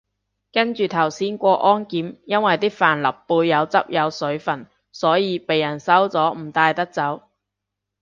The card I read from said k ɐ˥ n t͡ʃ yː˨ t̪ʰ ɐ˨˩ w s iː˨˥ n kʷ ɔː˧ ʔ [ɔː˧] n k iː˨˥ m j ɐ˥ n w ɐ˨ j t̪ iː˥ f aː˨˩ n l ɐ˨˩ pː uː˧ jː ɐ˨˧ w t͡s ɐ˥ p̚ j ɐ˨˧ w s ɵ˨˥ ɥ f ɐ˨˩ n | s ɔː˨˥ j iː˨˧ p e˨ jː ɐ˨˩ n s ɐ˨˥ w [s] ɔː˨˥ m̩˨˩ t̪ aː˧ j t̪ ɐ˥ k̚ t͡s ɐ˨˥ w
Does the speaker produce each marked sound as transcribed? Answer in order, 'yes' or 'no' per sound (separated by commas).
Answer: no, no